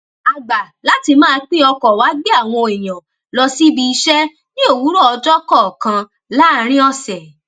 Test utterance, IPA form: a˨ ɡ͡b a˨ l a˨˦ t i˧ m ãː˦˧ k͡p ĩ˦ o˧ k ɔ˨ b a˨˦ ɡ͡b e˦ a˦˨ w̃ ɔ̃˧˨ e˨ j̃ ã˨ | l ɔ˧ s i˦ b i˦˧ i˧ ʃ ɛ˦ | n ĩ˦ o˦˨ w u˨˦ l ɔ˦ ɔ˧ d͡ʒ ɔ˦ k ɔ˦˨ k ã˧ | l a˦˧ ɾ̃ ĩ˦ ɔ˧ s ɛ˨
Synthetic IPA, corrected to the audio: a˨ ɡ͡b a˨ l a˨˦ t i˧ m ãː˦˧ k͡p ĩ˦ ɔ˧ k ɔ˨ w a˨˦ ɡ͡b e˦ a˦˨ w̃ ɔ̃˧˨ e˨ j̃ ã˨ | l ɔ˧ s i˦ b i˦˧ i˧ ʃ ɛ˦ | n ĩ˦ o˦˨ w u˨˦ ɾ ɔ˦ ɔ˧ d͡ʒ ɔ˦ k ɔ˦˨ k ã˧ | l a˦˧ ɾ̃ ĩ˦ ɔ˧ s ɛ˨